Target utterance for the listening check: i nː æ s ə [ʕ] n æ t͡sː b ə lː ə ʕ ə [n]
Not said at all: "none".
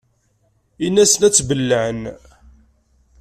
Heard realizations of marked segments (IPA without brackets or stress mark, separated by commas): none, n